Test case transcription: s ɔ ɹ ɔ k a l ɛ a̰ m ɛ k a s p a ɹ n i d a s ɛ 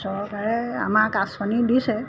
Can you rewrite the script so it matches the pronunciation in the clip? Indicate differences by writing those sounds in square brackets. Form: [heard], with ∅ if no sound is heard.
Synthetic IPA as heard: s ɔ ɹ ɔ k a [ɹ] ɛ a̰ m [a] k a s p a [∅] n i d [i] s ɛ